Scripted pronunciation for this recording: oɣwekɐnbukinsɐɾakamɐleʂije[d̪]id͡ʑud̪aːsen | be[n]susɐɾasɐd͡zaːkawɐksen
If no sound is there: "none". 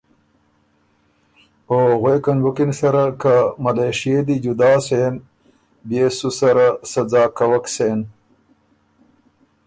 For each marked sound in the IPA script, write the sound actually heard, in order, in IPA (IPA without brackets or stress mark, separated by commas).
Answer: d̪, none